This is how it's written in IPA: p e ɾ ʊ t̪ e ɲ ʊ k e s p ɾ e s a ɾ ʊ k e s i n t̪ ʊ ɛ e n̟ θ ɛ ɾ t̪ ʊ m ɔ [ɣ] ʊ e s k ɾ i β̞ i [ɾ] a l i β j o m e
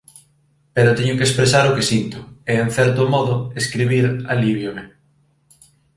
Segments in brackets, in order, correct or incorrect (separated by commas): incorrect, correct